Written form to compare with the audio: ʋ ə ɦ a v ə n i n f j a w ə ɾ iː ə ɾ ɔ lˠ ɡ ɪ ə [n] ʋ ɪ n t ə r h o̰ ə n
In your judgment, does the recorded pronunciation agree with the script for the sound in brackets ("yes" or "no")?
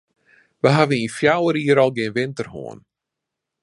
yes